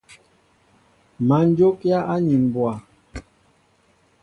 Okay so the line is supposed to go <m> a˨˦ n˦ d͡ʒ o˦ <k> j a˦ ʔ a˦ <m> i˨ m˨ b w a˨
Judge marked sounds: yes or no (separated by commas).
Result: yes, yes, no